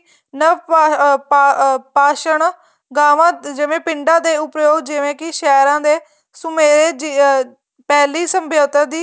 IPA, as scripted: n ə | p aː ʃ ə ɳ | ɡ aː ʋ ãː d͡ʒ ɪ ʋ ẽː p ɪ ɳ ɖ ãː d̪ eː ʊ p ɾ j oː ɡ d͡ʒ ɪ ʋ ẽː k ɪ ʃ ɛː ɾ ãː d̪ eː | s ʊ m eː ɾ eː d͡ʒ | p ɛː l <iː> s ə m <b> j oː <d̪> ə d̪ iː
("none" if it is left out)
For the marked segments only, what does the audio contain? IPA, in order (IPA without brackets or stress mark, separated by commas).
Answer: iː, b, t̪